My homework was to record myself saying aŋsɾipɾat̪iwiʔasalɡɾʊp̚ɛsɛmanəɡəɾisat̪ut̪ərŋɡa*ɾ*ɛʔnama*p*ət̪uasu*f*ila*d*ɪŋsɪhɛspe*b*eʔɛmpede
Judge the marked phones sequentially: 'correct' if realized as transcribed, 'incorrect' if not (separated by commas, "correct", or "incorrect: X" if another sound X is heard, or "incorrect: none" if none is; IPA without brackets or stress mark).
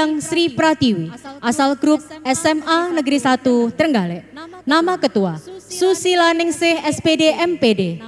incorrect: l, incorrect: k, incorrect: s, incorrect: n, incorrect: d